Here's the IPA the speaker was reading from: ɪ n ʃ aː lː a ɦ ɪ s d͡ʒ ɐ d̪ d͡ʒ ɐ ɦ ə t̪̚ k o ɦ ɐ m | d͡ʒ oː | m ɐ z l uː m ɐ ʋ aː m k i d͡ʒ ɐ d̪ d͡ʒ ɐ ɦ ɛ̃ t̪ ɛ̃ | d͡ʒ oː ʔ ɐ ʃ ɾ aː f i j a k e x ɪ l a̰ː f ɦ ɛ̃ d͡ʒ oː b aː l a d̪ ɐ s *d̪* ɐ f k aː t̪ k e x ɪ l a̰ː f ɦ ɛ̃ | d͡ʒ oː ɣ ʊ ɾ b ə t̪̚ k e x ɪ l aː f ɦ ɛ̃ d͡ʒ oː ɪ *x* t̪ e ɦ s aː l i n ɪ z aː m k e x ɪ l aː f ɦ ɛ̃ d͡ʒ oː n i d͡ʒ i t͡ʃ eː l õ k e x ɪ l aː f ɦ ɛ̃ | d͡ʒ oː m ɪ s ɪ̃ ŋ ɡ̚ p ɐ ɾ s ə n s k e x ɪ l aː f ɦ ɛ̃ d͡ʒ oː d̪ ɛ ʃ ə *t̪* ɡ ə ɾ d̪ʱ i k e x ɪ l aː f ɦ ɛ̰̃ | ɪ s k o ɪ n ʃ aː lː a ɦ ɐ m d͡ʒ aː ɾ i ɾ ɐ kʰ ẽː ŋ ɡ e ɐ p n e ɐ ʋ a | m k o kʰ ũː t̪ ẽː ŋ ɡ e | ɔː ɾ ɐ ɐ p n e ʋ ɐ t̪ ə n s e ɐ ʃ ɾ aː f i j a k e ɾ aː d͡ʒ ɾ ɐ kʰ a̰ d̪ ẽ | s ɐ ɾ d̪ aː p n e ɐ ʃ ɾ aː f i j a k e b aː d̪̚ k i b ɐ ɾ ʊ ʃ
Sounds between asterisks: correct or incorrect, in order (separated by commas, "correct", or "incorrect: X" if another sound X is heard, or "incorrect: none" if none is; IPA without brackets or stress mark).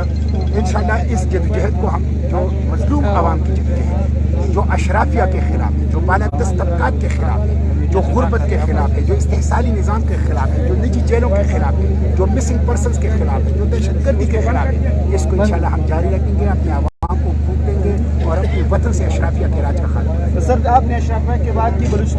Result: incorrect: t̪, incorrect: s, incorrect: d̪